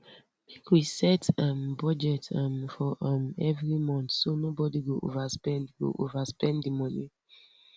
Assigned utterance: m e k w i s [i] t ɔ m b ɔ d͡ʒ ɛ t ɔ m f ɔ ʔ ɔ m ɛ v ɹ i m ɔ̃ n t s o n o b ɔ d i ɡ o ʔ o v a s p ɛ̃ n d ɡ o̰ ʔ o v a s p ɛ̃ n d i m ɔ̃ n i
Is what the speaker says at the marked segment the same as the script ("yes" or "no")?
no